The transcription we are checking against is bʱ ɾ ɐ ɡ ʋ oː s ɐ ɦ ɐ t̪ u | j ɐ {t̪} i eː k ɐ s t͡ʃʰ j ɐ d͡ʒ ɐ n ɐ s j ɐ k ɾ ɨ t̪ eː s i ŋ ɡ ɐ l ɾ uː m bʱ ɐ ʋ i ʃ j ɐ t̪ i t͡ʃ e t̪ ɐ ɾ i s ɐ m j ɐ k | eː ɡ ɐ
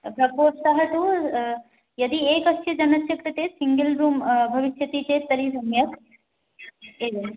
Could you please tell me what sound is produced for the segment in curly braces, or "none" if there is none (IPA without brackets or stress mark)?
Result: d̪